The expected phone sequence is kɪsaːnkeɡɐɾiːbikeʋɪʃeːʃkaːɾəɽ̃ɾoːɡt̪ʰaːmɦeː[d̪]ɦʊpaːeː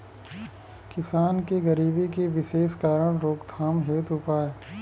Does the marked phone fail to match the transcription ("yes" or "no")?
yes